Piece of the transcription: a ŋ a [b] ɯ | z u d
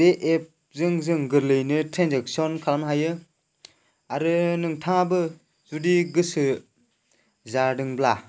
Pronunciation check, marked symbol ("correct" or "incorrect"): correct